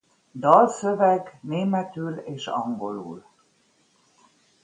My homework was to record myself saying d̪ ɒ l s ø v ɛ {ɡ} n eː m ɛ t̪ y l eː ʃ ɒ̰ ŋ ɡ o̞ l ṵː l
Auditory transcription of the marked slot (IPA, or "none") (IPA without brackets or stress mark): ɡ